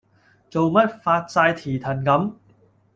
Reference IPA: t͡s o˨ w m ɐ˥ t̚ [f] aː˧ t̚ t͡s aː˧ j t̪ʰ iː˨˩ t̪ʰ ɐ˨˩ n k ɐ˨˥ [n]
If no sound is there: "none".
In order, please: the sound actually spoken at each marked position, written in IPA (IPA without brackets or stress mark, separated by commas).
f, m